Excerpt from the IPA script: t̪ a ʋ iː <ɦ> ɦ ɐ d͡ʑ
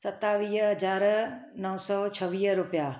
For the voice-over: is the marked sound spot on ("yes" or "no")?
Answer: yes